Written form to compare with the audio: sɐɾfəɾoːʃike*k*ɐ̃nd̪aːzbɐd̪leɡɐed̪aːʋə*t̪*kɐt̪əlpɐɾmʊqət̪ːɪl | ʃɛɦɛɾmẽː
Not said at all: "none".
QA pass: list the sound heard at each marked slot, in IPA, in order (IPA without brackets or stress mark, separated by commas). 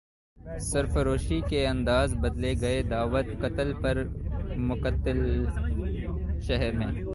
none, t̪